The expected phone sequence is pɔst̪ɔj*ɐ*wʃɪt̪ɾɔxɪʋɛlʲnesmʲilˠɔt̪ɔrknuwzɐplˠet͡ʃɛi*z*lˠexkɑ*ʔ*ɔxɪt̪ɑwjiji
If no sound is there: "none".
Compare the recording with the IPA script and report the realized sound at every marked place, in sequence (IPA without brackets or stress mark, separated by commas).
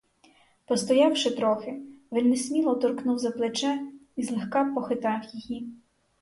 ɑ, z, p